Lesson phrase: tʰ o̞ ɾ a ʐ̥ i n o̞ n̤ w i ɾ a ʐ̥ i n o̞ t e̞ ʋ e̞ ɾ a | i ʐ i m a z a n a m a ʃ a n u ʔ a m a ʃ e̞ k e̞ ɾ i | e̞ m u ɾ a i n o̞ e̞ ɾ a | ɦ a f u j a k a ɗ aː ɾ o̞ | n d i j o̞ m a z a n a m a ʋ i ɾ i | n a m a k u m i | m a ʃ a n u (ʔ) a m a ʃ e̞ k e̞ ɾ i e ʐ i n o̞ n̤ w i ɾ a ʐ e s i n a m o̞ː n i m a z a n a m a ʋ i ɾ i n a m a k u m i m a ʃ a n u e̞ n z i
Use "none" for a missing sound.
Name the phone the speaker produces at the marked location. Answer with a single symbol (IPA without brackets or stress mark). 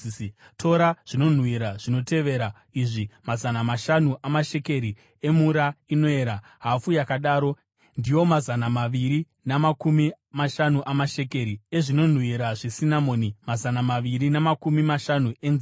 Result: ʔ